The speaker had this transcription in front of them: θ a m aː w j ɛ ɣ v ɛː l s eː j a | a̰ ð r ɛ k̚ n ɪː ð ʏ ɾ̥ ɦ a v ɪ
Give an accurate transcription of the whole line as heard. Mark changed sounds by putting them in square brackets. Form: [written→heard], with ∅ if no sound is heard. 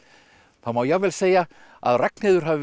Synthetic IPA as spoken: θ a m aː w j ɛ ɣ v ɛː l s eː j a | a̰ ð r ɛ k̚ n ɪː ð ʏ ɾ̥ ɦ a v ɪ

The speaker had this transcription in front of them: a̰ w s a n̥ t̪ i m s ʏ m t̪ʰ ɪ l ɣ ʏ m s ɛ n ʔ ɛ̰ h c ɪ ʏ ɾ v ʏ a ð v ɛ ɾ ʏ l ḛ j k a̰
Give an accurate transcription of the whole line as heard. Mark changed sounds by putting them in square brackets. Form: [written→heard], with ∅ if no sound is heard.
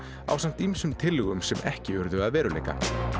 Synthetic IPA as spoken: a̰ w s a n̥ t̪ i m s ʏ m t̪ʰ ɪ l ɣ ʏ m s ɛ [n→m] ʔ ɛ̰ h c ɪ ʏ ɾ [v→ð] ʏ a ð v [ɛ→ɛː] ɾ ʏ l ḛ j k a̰

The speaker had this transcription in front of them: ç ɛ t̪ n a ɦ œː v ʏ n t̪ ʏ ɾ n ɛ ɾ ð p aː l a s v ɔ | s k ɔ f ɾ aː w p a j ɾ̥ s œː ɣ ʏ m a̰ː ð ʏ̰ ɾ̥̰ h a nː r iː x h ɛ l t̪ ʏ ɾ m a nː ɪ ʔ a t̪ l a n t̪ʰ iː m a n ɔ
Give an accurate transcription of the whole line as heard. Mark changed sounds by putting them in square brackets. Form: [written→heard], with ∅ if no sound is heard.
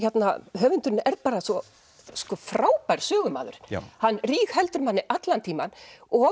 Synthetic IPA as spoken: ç ɛ t̪ n a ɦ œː v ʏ n t̪ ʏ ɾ n ɛ ɾ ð p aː [l→ɾ] a s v ɔ | s k ɔ f ɾ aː w p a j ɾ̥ s œː ɣ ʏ m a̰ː ð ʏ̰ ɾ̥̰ h a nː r iː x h ɛ l t̪ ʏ ɾ m a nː ɪ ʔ a t̪ l a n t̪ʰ iː m a n ɔ

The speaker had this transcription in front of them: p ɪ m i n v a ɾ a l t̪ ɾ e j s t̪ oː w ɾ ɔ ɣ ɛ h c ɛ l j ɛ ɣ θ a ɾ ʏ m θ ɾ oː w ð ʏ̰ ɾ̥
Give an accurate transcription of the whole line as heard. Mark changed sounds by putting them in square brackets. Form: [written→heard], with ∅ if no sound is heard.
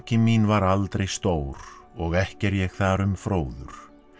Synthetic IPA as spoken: [p→c] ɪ m i n v a ɾ a l t̪ ɾ e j s t̪ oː w ɾ ɔ ɣ ɛ h c ɛ [l→ɾ] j ɛ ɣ θ a ɾ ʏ m [θ→f] ɾ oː w ð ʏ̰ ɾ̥

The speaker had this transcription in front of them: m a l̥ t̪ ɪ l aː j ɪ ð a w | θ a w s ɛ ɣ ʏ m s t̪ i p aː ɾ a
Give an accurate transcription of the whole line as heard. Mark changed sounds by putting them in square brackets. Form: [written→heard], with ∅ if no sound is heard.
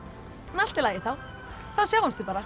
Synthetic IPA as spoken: [m→n] a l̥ t̪ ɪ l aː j ɪ [ð→θ] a w | θ a w s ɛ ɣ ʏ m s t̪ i p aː ɾ a

